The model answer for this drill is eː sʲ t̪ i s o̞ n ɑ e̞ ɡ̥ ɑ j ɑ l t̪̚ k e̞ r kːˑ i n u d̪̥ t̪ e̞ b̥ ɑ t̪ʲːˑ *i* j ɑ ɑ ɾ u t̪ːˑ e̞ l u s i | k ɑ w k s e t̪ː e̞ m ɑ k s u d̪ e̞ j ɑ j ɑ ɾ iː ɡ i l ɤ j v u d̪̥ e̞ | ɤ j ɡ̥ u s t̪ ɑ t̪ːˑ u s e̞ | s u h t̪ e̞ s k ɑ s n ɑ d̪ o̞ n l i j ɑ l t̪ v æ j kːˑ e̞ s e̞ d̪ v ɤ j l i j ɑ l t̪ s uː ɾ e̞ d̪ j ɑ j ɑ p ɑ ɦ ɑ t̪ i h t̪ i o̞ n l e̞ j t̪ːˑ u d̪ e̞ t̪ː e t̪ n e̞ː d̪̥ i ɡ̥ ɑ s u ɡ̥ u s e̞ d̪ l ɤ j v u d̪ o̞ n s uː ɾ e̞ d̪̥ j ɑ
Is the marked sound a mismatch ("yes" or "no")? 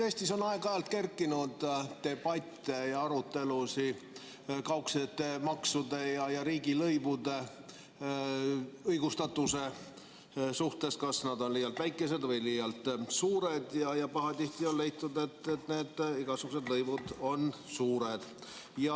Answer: yes